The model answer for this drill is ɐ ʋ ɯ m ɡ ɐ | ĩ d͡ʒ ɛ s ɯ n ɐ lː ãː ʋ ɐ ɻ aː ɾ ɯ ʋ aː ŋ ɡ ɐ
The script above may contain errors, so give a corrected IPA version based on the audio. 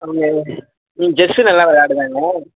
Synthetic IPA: ɐ ʋ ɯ ŋ ɡ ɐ | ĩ d͡ʒ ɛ s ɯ n ɐ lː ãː ʋ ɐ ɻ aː ɽ ɯ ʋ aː ŋ ɡ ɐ